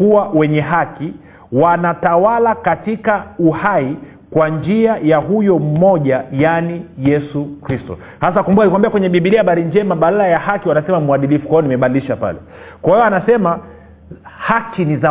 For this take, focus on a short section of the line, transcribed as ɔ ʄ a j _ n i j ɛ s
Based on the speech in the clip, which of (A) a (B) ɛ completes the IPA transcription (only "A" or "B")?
A